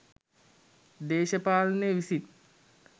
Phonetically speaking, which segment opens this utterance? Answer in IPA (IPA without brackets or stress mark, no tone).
d̪